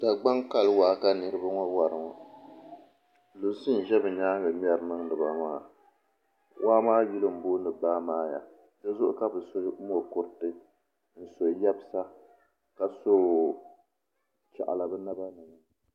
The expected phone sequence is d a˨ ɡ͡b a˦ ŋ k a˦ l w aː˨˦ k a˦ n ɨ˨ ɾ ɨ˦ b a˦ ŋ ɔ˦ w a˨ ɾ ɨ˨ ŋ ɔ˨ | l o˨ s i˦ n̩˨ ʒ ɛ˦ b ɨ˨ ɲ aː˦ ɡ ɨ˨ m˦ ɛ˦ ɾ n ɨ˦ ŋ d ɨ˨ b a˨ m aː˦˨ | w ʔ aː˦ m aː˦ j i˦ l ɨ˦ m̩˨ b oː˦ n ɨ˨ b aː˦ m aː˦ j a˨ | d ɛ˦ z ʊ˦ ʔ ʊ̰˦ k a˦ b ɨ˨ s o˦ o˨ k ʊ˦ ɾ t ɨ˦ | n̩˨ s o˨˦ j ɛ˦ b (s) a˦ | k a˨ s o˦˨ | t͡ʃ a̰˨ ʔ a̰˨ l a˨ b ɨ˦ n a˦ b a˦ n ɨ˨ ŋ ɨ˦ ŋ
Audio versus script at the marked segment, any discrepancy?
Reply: no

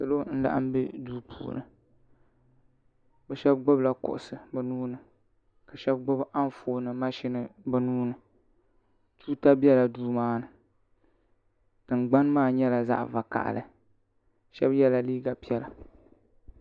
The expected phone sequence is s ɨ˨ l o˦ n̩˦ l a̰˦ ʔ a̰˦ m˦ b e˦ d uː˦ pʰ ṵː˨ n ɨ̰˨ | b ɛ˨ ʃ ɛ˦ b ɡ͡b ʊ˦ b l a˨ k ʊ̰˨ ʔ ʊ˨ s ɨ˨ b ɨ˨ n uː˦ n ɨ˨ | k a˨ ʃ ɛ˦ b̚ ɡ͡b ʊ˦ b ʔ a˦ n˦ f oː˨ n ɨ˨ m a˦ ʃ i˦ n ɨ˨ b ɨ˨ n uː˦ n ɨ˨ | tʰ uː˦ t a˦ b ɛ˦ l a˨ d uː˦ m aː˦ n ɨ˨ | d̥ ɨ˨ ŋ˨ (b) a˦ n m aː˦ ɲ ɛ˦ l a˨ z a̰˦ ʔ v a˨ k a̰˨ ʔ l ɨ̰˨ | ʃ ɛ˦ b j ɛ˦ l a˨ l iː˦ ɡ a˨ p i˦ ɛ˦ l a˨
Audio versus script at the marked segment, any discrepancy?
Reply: yes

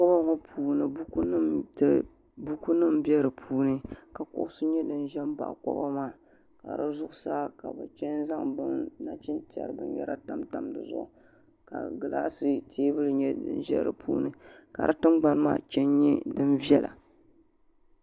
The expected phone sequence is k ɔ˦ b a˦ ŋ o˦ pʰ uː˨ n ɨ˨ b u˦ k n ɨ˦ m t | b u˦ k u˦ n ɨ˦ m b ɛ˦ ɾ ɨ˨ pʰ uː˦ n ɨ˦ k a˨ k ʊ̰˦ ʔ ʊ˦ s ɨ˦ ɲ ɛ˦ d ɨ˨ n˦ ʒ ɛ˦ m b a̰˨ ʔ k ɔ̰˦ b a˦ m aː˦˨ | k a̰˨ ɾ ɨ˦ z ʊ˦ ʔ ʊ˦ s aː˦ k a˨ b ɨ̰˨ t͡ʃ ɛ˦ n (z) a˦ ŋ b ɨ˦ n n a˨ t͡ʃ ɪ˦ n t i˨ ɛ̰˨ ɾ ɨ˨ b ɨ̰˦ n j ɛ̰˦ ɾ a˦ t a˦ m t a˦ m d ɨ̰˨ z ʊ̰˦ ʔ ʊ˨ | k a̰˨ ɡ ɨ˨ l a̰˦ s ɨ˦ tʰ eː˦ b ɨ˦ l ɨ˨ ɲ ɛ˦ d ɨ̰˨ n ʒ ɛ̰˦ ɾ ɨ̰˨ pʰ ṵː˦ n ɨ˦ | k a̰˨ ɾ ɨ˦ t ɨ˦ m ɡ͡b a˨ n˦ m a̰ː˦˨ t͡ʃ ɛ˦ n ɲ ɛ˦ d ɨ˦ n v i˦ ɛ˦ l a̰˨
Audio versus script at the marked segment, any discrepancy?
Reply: no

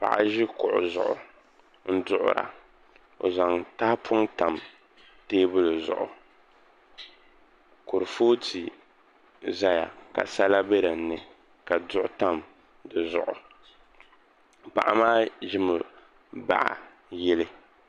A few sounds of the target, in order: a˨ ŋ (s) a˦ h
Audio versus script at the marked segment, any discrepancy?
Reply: yes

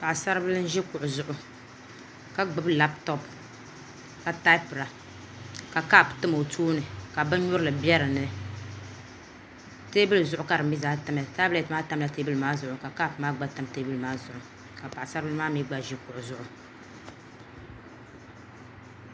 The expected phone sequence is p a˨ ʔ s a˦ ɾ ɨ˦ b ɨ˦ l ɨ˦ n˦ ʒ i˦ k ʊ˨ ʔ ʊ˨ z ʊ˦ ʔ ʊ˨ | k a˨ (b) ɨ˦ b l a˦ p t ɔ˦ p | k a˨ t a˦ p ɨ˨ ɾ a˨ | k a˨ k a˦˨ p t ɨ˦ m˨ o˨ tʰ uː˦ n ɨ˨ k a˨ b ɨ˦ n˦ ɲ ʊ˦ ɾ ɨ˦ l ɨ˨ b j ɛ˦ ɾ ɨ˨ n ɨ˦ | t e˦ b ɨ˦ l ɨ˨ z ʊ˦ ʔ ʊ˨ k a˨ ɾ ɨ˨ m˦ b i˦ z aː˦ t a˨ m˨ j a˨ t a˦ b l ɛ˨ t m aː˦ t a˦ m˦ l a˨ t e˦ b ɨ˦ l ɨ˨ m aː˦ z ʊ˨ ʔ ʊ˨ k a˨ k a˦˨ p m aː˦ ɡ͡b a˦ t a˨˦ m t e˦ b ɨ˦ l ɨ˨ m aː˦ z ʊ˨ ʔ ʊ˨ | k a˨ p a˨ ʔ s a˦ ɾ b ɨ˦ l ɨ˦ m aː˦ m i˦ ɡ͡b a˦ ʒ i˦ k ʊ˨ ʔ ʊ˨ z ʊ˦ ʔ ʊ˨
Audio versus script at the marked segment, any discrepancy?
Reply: yes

